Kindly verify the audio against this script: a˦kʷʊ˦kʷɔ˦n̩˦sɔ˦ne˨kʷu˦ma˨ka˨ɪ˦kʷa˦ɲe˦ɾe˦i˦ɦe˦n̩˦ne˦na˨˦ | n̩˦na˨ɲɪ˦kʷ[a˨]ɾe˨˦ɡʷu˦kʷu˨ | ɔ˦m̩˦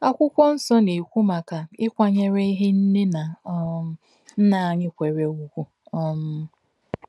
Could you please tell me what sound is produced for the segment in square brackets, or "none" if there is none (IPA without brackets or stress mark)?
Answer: e˨